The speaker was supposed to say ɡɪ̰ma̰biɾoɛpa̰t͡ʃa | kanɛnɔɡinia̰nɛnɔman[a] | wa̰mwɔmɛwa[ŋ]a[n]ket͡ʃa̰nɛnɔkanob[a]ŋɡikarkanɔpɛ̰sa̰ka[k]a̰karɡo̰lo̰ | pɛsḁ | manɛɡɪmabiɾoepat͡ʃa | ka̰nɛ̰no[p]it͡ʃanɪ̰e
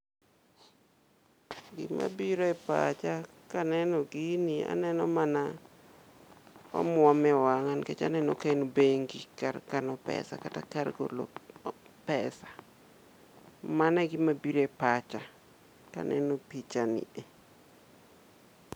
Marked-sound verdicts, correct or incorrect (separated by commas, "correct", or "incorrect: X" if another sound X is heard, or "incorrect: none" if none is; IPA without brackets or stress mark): correct, correct, correct, incorrect: e, incorrect: t, correct